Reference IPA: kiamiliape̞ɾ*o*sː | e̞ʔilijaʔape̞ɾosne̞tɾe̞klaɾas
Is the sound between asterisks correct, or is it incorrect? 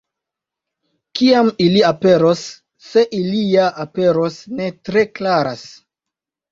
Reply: correct